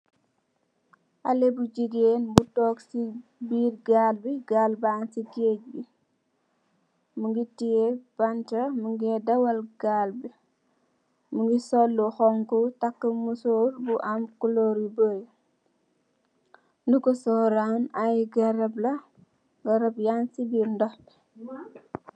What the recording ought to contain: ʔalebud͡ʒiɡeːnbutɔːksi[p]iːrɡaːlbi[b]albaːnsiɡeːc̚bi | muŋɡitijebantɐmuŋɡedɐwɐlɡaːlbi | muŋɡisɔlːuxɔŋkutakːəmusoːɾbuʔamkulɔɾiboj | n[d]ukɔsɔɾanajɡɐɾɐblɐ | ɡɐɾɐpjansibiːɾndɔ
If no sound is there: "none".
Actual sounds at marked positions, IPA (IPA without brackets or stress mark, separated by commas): b, ɡ, d